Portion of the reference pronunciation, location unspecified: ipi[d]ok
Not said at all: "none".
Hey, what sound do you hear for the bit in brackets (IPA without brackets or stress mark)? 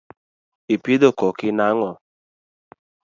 d